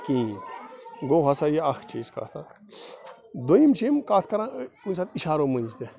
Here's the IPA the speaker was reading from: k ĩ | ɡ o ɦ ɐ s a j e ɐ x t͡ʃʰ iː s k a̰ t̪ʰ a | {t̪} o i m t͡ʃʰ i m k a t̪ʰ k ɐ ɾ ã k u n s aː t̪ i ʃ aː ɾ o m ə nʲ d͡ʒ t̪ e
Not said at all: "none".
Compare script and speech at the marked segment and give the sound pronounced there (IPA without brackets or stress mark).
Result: d̪